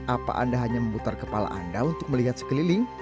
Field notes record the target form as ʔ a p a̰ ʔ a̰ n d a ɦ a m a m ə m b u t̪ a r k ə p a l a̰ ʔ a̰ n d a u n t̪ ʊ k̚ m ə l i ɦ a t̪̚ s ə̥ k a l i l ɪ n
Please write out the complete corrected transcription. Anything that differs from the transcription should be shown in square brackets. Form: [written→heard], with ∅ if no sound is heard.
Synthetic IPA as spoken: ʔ a p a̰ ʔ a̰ n d a ɦ a [m→ɲ] a m ə m b u t̪ a r k ə p a l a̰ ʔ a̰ n d a u n t̪ ʊ k̚ m ə l i ɦ a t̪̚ s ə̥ k [a→ə] l i l ɪ [n→ŋ]